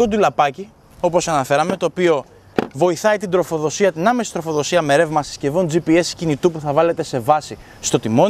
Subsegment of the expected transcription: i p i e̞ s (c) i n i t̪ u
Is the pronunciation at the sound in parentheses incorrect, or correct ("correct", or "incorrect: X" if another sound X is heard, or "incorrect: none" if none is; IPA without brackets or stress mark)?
correct